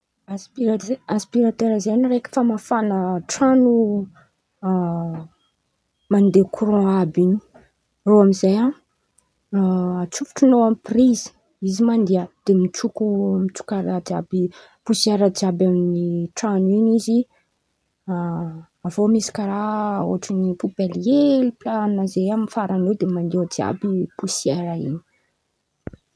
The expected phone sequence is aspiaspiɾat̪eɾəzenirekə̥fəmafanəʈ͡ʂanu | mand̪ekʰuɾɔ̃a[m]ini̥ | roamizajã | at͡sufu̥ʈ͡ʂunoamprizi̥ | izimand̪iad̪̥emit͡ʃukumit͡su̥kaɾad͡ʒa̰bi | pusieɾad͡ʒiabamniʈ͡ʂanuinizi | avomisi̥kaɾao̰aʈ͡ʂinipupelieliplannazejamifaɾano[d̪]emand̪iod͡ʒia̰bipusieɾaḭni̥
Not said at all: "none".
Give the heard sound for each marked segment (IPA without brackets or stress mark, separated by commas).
b, d̪